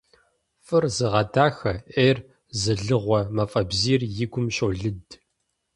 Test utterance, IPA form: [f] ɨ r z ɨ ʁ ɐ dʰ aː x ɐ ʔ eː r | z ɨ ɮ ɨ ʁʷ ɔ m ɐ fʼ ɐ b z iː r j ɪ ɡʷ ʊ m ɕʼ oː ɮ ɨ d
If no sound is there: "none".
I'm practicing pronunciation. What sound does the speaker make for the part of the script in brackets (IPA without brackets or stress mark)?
f